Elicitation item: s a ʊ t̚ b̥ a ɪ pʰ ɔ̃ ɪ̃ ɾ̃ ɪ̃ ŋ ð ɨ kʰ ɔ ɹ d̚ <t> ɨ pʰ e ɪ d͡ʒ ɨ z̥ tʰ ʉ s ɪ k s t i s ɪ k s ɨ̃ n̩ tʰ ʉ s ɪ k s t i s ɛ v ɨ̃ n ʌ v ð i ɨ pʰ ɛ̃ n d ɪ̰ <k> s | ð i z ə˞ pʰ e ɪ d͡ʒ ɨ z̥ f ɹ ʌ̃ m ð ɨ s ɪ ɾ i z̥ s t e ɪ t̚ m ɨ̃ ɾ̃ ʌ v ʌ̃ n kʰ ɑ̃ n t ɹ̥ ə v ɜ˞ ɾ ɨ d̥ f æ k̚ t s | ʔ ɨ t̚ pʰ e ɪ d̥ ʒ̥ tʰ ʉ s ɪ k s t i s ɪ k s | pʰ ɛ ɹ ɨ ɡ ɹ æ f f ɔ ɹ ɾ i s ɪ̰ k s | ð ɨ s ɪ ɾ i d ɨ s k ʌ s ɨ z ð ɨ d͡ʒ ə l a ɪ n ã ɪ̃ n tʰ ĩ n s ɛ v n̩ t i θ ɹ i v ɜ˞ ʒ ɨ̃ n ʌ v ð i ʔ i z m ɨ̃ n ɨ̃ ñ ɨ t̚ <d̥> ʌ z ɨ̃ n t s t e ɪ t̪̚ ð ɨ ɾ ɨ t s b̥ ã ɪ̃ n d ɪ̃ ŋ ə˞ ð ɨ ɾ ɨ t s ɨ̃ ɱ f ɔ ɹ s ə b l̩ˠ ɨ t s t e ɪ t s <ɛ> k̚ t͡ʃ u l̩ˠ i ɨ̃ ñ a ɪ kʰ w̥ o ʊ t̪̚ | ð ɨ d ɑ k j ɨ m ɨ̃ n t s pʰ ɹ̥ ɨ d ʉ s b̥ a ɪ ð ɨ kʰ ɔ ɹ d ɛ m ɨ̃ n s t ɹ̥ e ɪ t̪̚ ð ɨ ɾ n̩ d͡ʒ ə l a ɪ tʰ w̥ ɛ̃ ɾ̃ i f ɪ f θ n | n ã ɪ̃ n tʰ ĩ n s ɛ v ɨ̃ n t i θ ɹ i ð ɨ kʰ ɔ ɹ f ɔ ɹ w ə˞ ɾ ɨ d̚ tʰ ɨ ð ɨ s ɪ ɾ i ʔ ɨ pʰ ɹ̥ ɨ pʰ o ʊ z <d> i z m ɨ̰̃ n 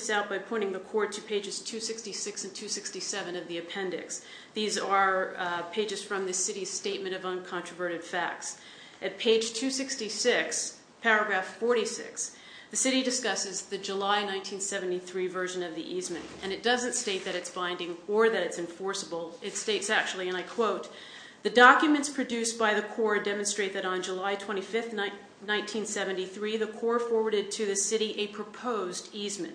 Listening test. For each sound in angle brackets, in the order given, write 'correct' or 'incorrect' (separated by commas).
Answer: incorrect, correct, correct, incorrect, correct